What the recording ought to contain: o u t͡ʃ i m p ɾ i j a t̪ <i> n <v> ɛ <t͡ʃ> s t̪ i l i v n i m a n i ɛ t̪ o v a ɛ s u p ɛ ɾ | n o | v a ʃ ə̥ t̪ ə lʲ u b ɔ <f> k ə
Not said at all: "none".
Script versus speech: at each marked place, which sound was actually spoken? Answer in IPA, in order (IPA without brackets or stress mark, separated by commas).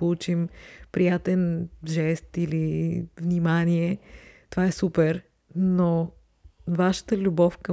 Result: ɛ, ʒ, none, f